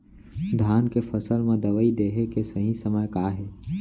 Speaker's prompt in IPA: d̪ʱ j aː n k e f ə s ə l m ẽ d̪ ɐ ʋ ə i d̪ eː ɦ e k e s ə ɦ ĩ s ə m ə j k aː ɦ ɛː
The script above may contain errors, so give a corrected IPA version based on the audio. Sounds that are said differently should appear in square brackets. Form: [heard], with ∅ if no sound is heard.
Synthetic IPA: d̪ʱ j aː n k e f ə s ə l m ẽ d̪ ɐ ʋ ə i d̪ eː ɦ e k e s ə ɦ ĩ s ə m ə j k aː ɦ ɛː